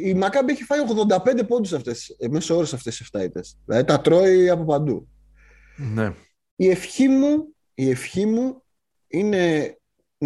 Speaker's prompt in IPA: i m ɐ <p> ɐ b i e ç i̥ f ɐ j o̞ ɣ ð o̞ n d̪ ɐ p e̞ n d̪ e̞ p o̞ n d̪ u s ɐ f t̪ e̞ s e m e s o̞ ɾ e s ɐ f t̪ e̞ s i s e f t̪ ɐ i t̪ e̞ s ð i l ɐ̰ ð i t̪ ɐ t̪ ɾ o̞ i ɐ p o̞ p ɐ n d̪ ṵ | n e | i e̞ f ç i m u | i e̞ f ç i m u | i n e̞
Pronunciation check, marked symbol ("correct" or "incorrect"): incorrect